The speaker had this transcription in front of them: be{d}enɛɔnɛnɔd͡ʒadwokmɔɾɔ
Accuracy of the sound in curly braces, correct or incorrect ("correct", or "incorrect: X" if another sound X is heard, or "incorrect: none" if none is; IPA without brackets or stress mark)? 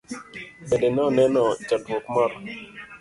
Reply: correct